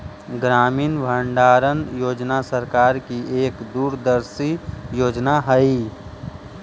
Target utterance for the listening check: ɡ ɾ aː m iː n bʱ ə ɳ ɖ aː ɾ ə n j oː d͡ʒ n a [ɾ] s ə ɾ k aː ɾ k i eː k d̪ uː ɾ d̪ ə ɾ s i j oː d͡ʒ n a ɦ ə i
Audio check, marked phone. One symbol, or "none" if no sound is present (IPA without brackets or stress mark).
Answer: none